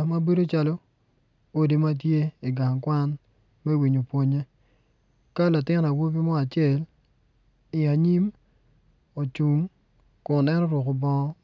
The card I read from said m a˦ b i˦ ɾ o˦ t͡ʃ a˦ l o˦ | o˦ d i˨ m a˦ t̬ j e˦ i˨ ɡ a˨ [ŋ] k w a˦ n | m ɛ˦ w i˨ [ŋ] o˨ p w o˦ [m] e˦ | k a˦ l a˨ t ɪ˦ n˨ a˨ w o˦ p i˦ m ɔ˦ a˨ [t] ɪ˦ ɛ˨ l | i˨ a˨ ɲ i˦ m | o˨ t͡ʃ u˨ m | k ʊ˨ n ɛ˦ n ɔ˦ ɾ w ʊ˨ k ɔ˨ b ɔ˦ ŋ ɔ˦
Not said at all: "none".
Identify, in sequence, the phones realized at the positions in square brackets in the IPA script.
ŋ, ɲ, ɲ, t͡ʃ

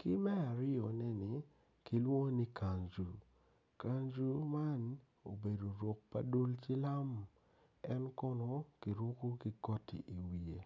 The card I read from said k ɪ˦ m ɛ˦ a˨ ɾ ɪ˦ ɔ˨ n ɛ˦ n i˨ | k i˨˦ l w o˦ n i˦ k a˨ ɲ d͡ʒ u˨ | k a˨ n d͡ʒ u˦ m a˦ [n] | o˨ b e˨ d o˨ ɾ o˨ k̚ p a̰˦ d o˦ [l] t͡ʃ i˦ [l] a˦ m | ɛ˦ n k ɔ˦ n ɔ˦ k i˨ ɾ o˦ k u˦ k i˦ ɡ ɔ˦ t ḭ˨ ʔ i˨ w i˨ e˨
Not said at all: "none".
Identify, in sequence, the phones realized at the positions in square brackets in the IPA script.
n, l, l

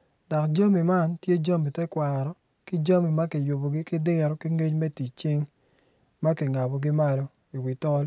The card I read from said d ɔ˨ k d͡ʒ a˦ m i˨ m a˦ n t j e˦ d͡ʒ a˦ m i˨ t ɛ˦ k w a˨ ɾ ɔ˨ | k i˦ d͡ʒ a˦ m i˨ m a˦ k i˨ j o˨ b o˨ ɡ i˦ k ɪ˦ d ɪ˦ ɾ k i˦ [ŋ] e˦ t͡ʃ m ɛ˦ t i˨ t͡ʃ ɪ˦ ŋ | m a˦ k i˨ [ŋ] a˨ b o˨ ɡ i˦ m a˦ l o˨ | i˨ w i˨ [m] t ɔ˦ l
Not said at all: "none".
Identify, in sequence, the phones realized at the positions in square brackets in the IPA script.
ŋ, ŋ, none

